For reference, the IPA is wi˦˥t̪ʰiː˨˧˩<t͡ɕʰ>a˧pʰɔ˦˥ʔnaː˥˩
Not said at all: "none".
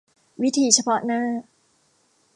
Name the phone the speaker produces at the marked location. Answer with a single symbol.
t͡ɕʰ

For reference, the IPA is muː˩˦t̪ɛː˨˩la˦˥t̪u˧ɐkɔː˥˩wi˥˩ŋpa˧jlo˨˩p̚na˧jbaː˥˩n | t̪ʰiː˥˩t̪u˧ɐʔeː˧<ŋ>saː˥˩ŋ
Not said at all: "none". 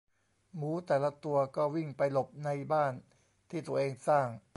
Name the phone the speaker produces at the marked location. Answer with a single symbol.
ŋ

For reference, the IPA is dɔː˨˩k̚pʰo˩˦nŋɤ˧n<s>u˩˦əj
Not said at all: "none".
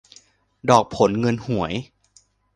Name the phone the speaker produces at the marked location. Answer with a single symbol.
h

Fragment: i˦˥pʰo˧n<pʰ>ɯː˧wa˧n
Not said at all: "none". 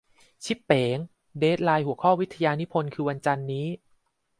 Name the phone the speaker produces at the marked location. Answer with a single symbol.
kʰ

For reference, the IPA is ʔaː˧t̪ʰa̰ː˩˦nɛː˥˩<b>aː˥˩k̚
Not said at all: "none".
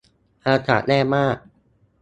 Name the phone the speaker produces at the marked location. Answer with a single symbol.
m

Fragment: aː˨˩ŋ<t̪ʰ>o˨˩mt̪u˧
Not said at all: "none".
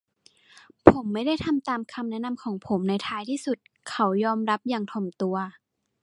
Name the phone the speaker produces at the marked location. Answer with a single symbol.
t̪ʰ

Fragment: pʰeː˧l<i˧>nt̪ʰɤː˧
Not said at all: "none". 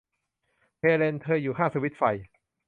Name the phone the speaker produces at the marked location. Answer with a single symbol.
e˧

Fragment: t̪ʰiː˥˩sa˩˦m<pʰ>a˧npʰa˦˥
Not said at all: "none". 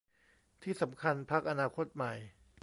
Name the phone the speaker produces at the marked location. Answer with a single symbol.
kʰ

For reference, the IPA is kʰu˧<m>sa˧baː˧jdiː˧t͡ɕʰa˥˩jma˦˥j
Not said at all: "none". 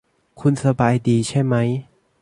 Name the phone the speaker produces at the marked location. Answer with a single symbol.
n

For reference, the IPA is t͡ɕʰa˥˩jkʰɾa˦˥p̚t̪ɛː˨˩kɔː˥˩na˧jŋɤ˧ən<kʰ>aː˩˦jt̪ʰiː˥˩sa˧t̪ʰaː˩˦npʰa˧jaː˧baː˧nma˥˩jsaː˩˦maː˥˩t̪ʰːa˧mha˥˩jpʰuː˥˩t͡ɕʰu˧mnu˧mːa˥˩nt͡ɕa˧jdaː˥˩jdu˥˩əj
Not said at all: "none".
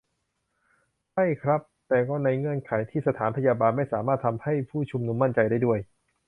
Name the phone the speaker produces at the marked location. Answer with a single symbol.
kʰ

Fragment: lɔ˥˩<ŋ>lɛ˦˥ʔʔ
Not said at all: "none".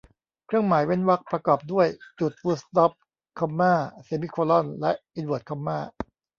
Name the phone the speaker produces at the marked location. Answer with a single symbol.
n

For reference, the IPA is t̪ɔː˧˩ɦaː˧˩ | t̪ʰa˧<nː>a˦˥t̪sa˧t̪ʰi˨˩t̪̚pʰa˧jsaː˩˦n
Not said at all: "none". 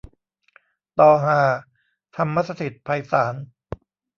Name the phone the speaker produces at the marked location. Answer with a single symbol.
mː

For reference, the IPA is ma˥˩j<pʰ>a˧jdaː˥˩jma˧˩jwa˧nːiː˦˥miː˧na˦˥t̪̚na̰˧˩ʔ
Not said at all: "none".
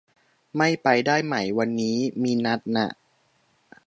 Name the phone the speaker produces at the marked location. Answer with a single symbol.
p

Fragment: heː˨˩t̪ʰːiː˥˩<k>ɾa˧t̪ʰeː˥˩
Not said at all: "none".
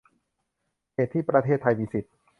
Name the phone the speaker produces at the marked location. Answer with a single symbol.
p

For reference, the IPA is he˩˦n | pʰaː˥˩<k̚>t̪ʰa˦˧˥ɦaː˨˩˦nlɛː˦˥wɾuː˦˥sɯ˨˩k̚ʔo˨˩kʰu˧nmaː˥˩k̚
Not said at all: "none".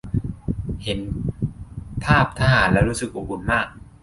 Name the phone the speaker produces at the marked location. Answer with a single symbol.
p̚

